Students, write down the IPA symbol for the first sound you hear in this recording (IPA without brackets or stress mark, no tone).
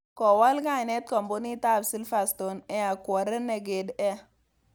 k